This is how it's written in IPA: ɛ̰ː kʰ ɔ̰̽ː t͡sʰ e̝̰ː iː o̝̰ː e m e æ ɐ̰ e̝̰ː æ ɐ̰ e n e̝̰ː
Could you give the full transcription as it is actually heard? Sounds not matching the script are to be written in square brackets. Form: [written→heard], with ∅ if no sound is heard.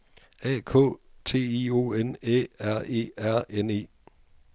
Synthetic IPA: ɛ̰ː kʰ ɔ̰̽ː t͡sʰ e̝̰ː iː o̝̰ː e [m→n] e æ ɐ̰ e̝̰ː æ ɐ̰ e n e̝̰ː